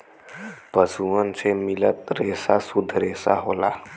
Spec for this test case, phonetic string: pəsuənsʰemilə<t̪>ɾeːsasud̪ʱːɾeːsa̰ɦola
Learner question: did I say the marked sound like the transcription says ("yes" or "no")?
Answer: yes